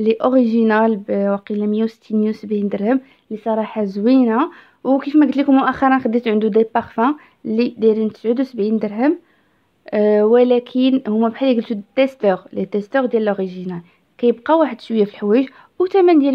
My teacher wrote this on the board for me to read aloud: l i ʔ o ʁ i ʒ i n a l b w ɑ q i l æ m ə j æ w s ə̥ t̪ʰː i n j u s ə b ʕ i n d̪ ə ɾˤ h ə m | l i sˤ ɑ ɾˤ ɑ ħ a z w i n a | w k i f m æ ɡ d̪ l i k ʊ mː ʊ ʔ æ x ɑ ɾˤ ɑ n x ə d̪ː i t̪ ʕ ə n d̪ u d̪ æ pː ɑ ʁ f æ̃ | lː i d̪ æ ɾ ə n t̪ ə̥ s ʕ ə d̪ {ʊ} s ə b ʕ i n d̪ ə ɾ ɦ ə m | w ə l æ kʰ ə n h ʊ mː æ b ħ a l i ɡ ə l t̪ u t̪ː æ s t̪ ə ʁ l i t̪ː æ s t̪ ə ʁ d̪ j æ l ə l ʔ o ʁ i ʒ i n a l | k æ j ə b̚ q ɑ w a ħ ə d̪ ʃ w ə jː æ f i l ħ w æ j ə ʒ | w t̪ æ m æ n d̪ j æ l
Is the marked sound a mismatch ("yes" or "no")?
yes